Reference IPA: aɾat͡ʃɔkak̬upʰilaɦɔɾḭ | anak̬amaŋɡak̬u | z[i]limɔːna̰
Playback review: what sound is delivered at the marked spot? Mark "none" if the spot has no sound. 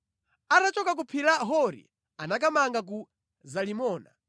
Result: a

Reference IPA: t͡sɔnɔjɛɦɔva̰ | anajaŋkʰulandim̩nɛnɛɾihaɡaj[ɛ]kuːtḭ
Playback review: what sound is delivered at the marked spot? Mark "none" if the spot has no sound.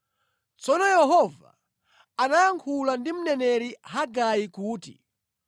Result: i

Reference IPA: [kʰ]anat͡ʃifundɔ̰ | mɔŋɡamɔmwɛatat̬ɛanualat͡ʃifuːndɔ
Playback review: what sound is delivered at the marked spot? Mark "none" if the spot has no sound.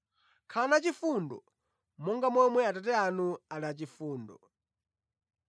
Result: kʰ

